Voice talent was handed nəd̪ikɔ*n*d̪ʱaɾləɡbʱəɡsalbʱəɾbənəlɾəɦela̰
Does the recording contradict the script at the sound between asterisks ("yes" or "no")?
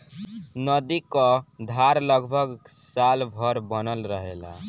yes